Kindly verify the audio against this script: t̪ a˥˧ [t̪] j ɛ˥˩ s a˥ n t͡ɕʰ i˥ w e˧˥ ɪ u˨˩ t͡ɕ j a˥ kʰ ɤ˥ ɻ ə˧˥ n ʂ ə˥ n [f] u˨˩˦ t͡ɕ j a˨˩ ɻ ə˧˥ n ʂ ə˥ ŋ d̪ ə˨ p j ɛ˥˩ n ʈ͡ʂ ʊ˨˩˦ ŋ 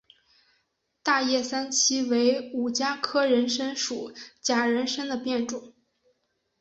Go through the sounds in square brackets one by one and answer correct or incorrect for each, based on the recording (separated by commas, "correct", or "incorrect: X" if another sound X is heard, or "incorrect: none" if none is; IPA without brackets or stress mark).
incorrect: none, incorrect: ʂ